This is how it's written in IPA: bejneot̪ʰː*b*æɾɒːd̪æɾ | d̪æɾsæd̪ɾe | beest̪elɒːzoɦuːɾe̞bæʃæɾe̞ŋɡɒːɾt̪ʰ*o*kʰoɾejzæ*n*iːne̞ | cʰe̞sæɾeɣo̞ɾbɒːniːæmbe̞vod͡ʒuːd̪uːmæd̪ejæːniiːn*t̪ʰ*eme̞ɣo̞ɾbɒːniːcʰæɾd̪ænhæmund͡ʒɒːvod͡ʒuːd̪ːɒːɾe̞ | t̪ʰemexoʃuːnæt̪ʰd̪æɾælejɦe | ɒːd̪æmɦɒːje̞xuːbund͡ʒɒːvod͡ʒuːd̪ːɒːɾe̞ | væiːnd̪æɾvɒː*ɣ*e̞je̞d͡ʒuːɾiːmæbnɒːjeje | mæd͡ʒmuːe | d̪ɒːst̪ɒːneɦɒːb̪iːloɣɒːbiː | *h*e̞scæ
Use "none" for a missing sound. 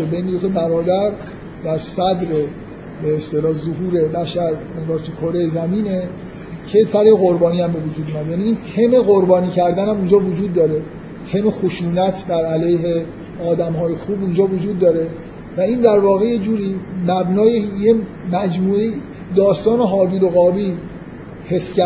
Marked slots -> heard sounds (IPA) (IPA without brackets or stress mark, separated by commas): b, u, m, t̪ʰ, ɣ, h